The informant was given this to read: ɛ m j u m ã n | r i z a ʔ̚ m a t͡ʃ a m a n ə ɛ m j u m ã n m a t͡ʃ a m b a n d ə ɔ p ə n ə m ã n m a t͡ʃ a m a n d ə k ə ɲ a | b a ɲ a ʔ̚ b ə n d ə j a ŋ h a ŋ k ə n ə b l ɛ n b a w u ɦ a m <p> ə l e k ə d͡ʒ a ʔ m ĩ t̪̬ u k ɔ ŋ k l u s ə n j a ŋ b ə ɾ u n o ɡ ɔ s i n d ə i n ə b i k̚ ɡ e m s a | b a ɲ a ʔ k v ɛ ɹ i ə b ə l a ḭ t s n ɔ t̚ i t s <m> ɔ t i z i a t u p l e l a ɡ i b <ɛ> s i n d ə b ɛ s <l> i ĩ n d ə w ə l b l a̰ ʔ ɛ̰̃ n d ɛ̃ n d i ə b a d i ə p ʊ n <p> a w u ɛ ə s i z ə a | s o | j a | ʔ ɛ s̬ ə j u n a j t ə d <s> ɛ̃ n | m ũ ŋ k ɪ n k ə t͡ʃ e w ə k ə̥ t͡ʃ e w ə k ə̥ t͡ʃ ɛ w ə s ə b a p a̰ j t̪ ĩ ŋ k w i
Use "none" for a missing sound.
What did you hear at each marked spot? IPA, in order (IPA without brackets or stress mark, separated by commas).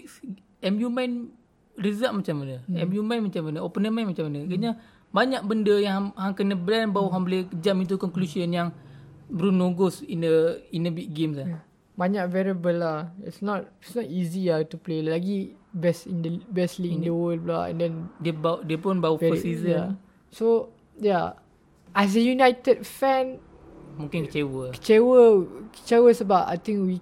b, n, ɛ, l, b, f